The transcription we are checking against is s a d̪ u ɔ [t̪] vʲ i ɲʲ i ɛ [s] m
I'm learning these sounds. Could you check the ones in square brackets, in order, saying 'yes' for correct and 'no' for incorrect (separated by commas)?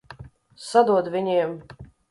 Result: no, no